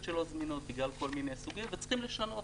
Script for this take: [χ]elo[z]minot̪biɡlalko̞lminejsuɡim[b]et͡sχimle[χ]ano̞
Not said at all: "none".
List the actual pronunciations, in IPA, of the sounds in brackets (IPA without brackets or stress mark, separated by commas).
ʃ, z, v, ʃ